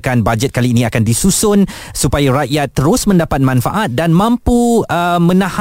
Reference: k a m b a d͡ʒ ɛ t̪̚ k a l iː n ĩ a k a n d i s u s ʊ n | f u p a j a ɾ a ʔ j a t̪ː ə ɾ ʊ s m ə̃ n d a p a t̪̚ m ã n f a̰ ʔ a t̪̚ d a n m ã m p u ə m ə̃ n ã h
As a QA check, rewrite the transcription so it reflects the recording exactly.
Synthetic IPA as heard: k a n b a d͡ʒ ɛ t̪̚ k a l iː n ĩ a k a n d i s u s ʊ n | s u p a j a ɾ a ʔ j a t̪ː ə ɾ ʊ s m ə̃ n d a p a t̪̚ m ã n f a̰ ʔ a t̪̚ d a n m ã m p u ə m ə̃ n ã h